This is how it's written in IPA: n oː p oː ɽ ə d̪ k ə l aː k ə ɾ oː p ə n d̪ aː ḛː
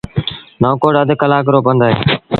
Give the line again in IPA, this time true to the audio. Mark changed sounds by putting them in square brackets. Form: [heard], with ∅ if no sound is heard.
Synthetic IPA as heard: n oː [k] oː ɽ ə d̪ k ə l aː k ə ɾ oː p ə n d̪ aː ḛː